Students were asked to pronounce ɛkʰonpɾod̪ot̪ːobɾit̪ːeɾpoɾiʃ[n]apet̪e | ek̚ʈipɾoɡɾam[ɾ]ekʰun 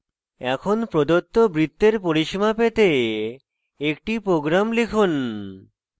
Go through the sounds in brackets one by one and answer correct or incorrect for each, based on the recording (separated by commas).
incorrect, incorrect